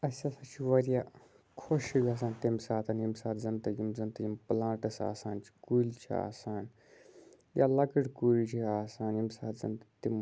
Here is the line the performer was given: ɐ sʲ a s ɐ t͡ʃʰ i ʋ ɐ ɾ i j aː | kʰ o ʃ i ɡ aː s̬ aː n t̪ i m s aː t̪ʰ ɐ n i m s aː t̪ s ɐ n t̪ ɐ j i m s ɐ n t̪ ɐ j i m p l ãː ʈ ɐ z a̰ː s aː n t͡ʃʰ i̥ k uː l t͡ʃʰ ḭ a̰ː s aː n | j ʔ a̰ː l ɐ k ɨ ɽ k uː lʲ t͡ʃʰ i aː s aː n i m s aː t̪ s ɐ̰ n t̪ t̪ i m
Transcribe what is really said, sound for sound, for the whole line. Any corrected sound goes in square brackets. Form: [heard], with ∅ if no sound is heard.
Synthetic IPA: ɐ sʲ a s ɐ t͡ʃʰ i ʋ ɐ ɾ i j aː | kʰ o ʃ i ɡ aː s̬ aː n t̪ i m s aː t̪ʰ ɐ n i m s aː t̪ [z] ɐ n t̪ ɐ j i m [z] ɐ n t̪ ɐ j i m p l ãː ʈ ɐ [s] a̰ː s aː n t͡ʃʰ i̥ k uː l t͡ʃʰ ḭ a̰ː s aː n | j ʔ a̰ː l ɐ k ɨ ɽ k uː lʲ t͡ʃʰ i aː s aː n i m s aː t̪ [z] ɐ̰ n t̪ t̪ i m

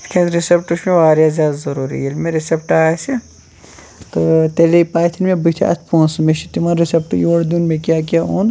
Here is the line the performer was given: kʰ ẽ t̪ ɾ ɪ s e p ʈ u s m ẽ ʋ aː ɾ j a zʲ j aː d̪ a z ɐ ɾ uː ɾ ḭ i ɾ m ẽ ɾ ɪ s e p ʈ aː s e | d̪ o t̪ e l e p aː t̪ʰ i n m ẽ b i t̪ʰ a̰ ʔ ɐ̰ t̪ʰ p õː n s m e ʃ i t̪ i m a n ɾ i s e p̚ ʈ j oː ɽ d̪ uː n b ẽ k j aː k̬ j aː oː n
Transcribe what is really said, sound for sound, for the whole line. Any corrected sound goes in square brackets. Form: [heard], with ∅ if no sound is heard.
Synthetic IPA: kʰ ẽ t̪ ɾ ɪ s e p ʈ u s m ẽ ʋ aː ɾ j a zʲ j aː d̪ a z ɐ ɾ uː ɾ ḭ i [l] m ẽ ɾ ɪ s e p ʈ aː s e | [t̪] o t̪ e l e p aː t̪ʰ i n m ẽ b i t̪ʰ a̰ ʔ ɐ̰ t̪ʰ p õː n s m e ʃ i t̪ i m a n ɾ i s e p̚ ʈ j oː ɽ d̪ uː n [m] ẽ k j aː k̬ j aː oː n

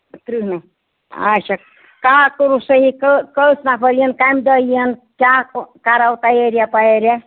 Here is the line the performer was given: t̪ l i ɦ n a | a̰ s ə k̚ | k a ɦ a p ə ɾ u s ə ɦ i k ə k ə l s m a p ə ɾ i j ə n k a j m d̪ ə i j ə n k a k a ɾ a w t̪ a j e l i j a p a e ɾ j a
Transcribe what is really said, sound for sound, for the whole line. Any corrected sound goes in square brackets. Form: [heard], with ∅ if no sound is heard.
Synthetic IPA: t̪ [ɾ] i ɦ n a | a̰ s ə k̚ | k a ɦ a [k] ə ɾ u s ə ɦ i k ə k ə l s [n] a p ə ɾ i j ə n k a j m d̪ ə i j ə n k a k a ɾ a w t̪ a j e [ɾ] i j a p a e ɾ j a

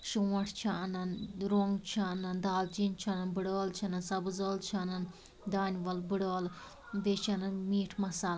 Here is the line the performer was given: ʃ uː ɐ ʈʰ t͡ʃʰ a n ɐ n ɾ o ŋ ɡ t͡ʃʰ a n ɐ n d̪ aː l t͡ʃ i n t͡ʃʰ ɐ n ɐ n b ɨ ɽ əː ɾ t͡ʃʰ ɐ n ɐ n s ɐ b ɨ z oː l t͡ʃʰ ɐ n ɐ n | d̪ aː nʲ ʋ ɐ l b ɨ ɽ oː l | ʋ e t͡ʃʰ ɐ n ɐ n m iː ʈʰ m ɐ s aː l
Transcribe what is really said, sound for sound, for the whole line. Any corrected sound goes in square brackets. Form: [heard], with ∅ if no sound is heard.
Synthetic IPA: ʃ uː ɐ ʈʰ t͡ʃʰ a n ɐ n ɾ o ŋ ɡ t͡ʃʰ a n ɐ n d̪ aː l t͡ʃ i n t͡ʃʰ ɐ n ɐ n b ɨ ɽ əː [l] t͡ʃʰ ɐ n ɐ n s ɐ b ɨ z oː l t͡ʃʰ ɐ n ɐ n | d̪ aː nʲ ʋ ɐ l b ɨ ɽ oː l | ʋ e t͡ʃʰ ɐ n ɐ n m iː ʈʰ m ɐ s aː l

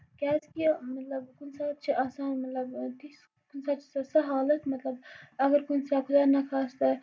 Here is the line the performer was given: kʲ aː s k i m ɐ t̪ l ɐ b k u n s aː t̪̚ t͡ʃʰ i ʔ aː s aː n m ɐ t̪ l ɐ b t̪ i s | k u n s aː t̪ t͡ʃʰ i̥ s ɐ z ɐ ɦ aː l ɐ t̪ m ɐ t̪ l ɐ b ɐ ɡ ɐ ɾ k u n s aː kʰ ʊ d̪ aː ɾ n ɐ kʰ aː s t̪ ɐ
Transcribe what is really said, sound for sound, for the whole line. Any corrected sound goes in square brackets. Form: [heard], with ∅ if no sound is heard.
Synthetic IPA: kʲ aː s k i m ɐ t̪ l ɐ b k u n s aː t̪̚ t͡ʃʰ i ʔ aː s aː n m ɐ t̪ l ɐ b t̪ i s | k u n s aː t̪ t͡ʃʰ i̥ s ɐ [s] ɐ ɦ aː l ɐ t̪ m ɐ t̪ l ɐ b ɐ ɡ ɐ ɾ k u n s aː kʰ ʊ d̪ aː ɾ n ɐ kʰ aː s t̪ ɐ

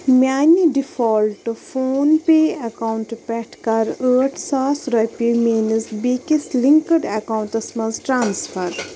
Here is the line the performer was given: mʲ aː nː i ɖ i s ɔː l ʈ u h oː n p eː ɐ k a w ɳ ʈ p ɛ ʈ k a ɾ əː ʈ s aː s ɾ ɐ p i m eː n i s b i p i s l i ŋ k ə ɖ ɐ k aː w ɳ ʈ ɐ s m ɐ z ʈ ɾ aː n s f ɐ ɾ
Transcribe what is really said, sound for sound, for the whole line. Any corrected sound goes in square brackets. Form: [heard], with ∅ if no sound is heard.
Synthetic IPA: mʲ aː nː i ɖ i [f] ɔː l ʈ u [f] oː n p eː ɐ k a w ɳ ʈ p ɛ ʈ k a ɾ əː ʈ s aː s ɾ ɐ p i m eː n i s b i [k] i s l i ŋ k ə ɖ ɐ k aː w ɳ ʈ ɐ s m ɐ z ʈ ɾ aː n s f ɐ ɾ

